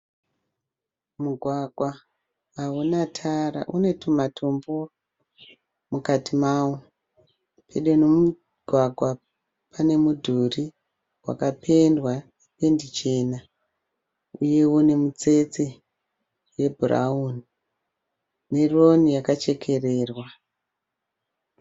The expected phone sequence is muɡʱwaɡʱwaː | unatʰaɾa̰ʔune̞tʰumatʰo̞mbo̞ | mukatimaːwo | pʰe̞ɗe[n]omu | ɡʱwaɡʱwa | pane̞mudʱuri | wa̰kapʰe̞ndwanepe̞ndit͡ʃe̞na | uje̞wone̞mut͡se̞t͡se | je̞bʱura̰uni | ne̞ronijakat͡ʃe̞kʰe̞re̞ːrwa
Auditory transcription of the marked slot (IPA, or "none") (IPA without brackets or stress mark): n